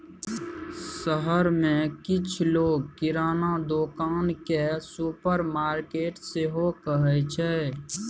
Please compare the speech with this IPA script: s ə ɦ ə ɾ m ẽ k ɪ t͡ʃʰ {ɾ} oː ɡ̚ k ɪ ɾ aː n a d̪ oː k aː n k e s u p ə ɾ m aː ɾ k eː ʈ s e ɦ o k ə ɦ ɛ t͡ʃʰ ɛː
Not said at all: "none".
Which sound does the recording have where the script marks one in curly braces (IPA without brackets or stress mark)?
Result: l